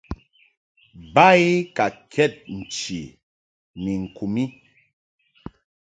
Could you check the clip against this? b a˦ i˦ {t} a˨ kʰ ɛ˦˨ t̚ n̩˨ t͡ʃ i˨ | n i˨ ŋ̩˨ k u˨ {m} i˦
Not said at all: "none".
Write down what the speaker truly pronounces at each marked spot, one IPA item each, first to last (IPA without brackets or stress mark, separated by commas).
k, m